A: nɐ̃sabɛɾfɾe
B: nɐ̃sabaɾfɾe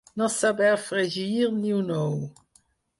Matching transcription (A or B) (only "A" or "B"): A